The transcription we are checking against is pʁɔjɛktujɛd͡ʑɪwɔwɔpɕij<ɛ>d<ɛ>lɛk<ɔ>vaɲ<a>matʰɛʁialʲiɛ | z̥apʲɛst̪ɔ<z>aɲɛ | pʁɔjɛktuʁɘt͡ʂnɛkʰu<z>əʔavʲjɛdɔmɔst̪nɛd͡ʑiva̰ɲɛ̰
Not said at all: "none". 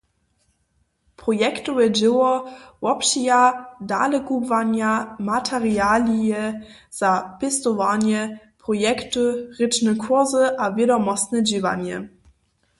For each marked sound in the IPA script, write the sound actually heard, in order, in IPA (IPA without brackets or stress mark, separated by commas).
a, a, u, a, v, z